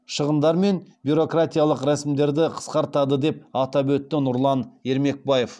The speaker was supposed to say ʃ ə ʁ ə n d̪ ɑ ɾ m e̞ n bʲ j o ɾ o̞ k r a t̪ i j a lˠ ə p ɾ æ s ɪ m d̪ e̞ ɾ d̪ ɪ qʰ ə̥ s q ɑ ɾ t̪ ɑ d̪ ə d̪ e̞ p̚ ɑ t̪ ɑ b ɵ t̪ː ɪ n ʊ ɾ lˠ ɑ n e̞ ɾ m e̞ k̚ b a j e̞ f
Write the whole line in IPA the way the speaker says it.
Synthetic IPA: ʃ ə ʁ ə n d̪ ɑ ɾ m e̞ n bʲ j u ɾ o̞ k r a t̪ i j a lˠ ə q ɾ æ s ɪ m d̪ e̞ ɾ d̪ ɪ qʰ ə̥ s q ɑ ɾ t̪ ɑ d̪ ə d̪ e̞ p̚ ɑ t̪ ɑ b ɵ t̪ː ɪ n ʊ ɾ lˠ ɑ n e̞ ɾ m e̞ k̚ b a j e̞ f